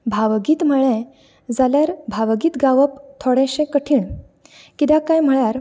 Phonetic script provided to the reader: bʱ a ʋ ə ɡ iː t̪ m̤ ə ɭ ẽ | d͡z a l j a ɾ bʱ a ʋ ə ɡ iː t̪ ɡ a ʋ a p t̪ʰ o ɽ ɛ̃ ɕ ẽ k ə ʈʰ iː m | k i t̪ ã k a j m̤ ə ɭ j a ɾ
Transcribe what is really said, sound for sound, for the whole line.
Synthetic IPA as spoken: bʱ a ʋ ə ɡ iː t̪ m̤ ə ɭ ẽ | d͡z a l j a ɾ bʱ a ʋ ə ɡ iː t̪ ɡ a ʋ ə p t̪ʰ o ɽ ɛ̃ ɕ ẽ k ə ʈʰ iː ɳ | k i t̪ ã k a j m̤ ə ɭ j a ɾ